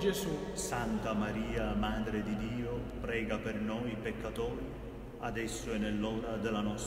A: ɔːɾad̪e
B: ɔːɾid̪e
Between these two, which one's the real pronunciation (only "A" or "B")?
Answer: A